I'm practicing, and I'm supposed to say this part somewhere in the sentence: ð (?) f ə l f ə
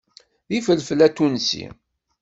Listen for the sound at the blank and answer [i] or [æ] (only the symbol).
i